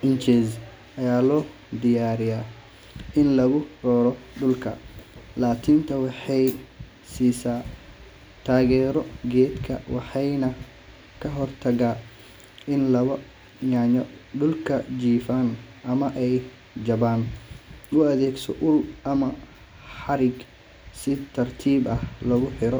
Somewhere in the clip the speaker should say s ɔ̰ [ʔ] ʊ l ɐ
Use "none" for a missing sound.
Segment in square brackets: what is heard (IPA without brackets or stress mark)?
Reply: ʔ